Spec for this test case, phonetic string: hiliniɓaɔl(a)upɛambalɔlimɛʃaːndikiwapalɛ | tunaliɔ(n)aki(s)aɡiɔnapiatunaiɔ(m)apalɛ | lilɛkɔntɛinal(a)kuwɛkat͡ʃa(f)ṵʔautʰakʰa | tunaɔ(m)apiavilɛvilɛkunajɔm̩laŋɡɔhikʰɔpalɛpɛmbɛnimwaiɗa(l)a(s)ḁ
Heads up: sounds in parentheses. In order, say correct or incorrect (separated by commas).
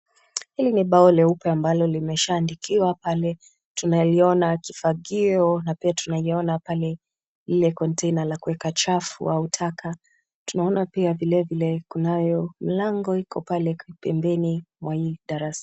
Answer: incorrect, correct, incorrect, incorrect, correct, correct, incorrect, incorrect, correct